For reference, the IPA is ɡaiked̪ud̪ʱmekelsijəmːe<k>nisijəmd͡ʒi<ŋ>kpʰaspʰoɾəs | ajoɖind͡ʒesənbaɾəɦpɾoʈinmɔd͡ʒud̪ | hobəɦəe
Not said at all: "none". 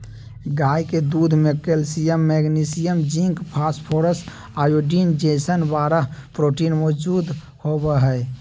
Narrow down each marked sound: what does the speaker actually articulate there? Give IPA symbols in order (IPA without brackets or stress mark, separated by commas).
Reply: ɡ, ŋ